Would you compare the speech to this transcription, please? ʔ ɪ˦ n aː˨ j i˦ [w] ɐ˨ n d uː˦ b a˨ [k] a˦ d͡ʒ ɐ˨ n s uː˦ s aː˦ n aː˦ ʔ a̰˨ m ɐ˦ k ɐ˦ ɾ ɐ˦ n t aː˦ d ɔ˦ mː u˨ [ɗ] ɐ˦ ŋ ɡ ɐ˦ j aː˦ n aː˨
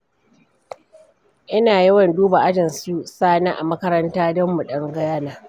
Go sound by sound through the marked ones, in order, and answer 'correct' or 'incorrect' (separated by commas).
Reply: correct, incorrect, correct